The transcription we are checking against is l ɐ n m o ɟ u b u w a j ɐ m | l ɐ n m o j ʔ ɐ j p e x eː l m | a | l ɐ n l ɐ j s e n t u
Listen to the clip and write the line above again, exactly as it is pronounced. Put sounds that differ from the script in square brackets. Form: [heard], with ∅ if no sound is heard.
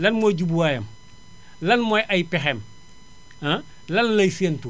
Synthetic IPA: l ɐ n m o ɟ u b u w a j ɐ m | l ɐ n m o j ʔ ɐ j p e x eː [∅] m | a | l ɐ n l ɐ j s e n t u